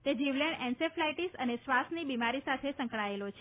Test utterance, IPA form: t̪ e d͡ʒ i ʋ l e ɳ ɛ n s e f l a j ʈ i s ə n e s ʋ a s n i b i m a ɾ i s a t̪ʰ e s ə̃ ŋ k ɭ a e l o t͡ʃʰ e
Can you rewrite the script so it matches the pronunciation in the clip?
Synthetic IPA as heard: t̪ e d͡ʒ i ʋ l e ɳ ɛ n s e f l a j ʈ i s ə n e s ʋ a s n i b i m a ɾ i s a t̪ʰ e s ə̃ ŋ k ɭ a e l o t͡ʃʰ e